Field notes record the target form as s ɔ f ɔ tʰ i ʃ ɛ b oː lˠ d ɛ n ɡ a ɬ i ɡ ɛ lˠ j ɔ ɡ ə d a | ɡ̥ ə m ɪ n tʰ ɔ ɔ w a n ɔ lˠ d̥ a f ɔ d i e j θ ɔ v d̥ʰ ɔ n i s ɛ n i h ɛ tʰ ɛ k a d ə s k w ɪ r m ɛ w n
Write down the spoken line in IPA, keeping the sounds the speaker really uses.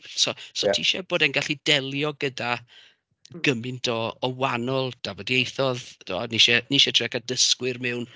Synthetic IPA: s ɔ s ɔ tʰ i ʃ ɛ b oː d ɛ n ɡ a ɬ i d ɛ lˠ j ɔ ɡ ə d a | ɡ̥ ə m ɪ n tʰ ɔ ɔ w a n ɔ lˠ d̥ a v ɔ d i e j θ ɔ ð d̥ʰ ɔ n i ʃ ɛ n i ʃ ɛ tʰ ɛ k a d ə s k w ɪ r m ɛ w n